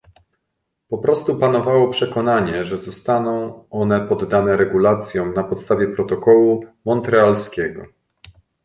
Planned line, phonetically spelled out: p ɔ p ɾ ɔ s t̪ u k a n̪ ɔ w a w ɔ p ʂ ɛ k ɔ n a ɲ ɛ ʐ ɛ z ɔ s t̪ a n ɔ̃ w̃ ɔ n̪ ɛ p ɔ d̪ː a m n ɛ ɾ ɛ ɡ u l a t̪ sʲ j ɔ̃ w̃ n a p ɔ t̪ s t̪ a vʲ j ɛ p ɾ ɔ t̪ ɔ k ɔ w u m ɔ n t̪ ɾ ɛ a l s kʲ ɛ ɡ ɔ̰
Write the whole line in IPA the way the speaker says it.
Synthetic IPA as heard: p ɔ p ɾ ɔ s t̪ u p a n̪ ɔ v a w ɔ p ʂ ɛ k ɔ n a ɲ ɛ ʐ ɛ z ɔ s t̪ a n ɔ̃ w̃ ɔ n̪ ɛ p ɔ d̪ː a n ɛ ɾ ɛ ɡ u l a t̪ sʲ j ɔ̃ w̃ n a p ɔ t̪ s t̪ a vʲ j ɛ p ɾ ɔ t̪ ɔ k ɔ w u m ɔ n t̪ ɾ ɛ a l s kʲ ɛ ɡ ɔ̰